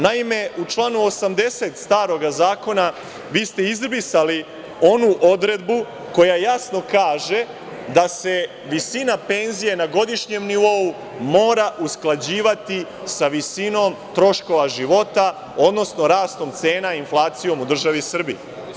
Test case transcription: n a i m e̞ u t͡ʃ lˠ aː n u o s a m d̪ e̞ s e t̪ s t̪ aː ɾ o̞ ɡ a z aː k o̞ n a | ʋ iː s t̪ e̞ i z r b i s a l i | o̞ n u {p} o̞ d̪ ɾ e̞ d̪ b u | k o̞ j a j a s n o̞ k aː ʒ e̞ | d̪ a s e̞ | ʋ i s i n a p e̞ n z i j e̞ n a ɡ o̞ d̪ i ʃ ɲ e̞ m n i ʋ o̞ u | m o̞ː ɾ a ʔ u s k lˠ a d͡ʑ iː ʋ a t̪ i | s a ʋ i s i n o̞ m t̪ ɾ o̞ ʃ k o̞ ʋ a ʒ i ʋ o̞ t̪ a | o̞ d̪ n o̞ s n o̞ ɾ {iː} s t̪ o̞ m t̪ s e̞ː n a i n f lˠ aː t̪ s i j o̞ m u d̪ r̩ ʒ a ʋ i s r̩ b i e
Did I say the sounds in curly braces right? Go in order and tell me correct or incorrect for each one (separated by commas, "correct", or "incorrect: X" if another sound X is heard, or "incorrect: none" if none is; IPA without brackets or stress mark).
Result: incorrect: ʔ, incorrect: aː